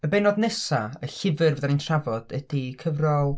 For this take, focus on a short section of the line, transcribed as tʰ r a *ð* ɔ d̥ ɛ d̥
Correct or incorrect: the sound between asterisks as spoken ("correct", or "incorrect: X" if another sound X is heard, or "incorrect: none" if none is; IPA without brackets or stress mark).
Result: incorrect: v